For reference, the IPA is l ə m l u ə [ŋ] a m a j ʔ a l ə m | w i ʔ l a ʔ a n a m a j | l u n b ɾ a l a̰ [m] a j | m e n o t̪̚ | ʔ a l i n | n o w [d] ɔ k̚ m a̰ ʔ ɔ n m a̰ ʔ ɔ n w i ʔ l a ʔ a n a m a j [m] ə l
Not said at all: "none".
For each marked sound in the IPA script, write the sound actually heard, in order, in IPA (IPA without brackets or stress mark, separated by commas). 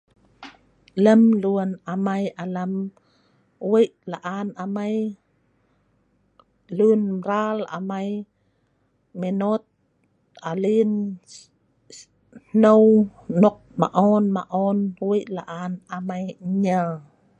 n, m, n, ɲ